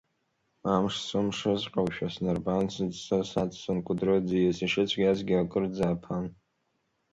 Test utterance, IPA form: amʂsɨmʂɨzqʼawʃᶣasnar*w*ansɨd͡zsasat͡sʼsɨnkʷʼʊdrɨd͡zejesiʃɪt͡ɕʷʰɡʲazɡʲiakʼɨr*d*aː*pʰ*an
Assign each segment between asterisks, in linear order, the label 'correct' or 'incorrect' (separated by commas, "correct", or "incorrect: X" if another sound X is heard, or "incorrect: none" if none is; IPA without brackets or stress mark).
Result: incorrect: b, incorrect: d͡z, correct